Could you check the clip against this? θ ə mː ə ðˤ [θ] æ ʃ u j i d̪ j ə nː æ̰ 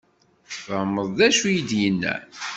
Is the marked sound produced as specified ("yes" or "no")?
no